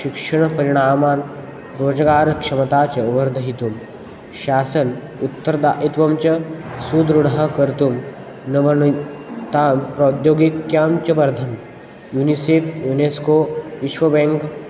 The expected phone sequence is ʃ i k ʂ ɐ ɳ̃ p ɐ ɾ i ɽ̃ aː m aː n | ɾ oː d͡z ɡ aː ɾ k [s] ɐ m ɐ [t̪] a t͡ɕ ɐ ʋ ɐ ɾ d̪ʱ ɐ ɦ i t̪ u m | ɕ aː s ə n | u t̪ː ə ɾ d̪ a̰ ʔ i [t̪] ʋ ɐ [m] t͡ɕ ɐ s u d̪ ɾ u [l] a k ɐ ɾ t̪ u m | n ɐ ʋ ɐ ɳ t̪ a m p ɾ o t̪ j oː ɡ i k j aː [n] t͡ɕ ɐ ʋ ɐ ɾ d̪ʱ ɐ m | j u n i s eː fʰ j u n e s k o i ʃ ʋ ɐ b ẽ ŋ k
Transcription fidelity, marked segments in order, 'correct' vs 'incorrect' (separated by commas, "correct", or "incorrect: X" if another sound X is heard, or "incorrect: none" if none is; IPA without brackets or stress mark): incorrect: ʂ, correct, correct, correct, incorrect: ɽ, incorrect: m